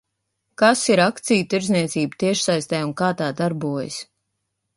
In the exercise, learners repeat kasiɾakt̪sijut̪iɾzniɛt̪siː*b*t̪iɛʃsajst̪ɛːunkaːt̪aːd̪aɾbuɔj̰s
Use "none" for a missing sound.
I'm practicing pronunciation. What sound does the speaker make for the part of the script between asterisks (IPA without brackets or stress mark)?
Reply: b